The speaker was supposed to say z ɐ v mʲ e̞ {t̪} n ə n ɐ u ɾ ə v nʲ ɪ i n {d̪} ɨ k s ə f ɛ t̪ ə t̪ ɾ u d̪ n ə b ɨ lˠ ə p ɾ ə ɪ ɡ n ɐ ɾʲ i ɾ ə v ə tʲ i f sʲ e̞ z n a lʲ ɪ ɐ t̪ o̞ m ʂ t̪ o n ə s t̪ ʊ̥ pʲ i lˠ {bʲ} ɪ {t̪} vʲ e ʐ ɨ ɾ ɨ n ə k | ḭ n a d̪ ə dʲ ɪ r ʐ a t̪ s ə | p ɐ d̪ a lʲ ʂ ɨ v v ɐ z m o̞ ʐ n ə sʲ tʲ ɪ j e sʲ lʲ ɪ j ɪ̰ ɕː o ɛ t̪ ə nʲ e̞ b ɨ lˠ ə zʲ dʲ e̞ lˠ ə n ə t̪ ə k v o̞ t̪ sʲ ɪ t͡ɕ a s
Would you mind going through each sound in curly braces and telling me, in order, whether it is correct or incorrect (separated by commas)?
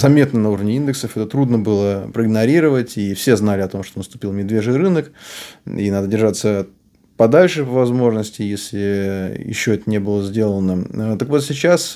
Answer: correct, correct, incorrect, incorrect